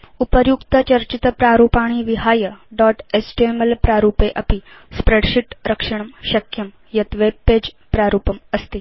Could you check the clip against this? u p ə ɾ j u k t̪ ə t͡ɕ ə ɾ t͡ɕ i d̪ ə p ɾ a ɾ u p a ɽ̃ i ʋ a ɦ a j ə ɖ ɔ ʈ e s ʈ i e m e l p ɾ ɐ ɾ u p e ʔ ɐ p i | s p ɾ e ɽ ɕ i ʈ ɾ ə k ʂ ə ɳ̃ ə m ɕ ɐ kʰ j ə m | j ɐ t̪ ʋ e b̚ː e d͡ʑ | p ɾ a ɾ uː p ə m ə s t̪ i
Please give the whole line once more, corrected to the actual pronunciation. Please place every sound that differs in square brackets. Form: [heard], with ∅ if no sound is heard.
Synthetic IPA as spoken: u p ə ɾ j u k t̪ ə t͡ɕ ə ɾ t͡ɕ i [t̪] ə p ɾ a ɾ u p a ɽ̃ i ʋ [i] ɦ a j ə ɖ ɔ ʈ e s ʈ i e m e l p ɾ [a] ɾ u p e ʔ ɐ p i | s p ɾ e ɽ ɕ i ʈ ɾ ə k ʂ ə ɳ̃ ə m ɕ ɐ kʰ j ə m | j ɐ t̪ ʋ e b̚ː e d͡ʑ | p ɾ a ɾ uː p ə m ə s t̪ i